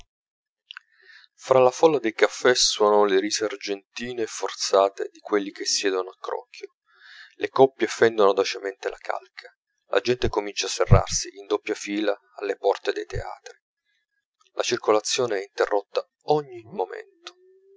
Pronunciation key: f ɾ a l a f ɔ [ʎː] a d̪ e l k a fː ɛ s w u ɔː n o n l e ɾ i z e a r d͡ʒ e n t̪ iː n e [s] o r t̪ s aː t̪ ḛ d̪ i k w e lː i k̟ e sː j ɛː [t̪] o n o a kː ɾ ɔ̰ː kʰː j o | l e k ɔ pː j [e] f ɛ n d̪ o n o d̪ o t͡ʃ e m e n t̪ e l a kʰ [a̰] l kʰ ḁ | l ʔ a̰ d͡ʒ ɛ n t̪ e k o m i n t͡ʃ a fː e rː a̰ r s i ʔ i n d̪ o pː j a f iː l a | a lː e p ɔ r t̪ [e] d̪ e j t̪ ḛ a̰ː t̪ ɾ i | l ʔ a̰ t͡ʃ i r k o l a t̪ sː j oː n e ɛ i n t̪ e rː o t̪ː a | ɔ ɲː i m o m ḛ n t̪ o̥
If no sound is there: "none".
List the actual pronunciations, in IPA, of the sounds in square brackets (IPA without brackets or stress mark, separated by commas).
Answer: lː, f, d̪, e, a̰, e